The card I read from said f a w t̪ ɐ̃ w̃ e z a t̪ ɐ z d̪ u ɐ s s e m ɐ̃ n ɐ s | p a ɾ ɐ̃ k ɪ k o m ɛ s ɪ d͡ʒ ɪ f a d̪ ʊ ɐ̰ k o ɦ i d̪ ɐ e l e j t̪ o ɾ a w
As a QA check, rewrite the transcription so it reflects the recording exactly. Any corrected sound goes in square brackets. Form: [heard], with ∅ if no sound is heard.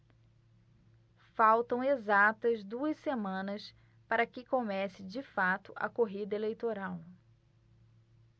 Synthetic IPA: f a w t̪ ɐ̃ w̃ e z a t̪ ɐ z d̪ u ɐ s s e m ɐ̃ n ɐ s | p a ɾ [ɐ] k ɪ k o m ɛ s ɪ d͡ʒ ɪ f a [t̪] ʊ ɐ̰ k o ɦ i d̪ ɐ e l e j t̪ o ɾ a w